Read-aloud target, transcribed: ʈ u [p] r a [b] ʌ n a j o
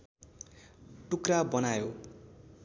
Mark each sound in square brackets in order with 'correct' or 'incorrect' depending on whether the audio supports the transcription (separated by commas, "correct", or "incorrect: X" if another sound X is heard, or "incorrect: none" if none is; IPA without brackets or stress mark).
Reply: incorrect: k, correct